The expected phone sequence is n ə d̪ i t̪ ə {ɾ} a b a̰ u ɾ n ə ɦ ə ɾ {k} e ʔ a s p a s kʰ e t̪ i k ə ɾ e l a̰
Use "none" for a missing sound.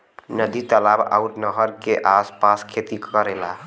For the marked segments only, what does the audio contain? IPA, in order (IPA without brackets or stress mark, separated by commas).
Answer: l, k